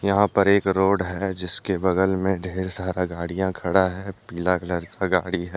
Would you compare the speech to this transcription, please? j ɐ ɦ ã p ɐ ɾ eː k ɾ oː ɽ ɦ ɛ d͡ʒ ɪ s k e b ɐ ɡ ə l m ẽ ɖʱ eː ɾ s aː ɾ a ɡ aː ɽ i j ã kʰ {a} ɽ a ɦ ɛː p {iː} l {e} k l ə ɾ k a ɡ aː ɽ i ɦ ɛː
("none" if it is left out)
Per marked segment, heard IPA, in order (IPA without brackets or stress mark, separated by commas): ɐ, iː, a